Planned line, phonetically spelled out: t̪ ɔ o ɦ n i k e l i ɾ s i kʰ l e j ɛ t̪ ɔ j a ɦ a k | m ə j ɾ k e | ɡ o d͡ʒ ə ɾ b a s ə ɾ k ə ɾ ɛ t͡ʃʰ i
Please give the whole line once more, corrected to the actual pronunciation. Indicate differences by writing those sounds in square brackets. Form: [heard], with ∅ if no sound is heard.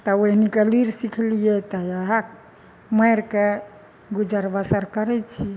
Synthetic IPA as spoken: t̪ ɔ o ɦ n i k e l i ɾ s i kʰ l [i] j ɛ t̪ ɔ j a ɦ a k | m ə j ɾ k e | ɡ [u] d͡ʒ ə ɾ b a s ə ɾ k ə ɾ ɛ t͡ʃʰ i